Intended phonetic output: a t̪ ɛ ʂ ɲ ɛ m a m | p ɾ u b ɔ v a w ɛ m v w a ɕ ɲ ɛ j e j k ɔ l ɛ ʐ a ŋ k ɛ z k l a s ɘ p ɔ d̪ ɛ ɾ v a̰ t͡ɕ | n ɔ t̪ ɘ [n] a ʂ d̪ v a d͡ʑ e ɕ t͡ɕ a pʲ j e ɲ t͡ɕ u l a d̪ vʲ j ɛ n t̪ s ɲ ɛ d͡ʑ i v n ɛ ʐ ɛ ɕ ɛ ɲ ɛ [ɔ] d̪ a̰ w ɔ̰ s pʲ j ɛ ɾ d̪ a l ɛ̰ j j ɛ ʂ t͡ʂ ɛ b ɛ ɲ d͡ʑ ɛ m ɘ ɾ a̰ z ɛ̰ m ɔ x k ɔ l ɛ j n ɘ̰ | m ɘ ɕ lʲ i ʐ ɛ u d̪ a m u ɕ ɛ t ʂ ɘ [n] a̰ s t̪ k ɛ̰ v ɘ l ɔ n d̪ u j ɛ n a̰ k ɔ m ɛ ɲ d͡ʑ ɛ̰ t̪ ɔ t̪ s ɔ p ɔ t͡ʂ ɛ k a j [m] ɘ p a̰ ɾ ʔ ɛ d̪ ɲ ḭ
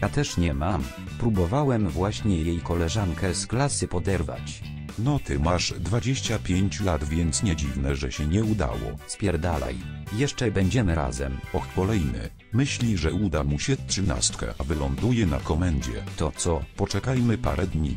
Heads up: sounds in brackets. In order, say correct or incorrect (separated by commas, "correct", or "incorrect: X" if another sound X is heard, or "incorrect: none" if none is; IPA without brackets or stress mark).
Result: incorrect: m, incorrect: u, correct, correct